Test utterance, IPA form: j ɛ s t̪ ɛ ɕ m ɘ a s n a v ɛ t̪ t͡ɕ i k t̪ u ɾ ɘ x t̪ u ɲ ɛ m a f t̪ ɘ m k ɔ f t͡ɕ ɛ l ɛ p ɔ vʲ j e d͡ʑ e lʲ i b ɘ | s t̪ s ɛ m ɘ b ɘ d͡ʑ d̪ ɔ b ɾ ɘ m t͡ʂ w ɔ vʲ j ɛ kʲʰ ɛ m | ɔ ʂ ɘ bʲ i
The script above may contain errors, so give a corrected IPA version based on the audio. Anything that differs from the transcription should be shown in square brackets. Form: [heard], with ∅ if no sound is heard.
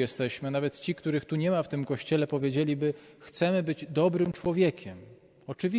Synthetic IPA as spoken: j ɛ s t̪ ɛ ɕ m ɘ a [∅] n a v ɛ t̪ t͡ɕ i k t̪ u ɾ ɘ x t̪ u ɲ ɛ m a f t̪ ɘ m k ɔ [ɕ] t͡ɕ ɛ l ɛ p ɔ vʲ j e d͡ʑ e lʲ i b ɘ | [x] t̪ s ɛ m ɘ b ɘ d͡ʑ d̪ ɔ b ɾ ɘ m t͡ʂ w ɔ vʲ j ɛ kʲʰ ɛ m | ɔ [t͡ʂ] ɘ [vʲ] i